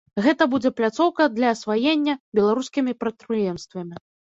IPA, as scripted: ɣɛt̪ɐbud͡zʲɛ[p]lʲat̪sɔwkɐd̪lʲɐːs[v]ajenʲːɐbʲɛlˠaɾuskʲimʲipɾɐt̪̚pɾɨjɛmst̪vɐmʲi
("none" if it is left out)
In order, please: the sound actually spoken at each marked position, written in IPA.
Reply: p, v

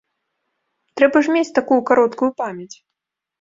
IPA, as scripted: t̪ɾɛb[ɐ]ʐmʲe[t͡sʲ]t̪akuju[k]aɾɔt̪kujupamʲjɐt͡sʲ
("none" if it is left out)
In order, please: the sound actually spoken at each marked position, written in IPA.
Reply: ɐ, t͡sʲ, k

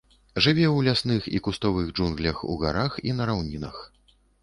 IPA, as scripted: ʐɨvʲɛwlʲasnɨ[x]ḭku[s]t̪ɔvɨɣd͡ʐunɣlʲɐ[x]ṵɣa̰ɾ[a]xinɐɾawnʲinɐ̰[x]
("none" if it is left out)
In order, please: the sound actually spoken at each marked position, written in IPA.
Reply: x, s, x, a, x

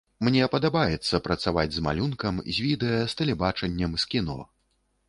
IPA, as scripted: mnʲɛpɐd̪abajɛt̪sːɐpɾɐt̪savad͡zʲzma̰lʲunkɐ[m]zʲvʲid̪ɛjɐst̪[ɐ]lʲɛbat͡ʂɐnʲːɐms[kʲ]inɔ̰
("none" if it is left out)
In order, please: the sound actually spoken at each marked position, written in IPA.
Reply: m, ɐ, kʲ

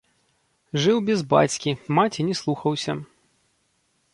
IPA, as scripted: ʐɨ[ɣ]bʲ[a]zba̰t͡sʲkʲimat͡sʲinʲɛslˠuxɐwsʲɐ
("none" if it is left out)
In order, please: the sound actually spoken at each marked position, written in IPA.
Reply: w, ɛ

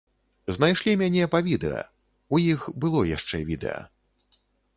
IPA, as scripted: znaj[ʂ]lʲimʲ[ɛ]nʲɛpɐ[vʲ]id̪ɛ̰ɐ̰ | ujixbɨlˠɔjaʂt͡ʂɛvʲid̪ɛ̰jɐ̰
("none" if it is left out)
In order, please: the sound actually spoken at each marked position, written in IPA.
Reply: ʂ, a, vʲ

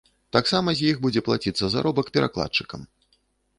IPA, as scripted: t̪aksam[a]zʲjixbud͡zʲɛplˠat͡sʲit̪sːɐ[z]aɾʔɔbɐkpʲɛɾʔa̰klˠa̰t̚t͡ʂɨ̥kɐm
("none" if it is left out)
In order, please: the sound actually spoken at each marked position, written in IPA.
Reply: ɐ, z

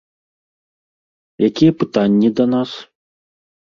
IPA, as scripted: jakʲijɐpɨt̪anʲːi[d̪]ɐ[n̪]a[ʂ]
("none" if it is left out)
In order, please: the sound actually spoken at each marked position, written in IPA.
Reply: d̪, n̪, s

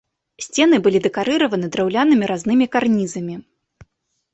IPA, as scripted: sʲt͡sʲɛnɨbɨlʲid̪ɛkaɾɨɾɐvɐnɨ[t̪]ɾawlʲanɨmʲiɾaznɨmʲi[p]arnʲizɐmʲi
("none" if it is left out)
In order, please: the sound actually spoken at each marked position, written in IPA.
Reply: d̪, k

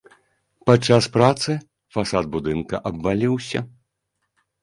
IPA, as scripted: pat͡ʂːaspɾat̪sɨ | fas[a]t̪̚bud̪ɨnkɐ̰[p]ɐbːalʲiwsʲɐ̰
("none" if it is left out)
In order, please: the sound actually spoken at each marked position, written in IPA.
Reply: a, ʔ

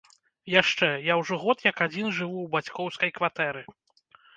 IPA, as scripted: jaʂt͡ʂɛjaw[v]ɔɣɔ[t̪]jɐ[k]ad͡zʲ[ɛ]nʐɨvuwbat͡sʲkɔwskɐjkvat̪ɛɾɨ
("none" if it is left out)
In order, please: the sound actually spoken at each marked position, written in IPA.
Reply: ʐ, t̪, k, i

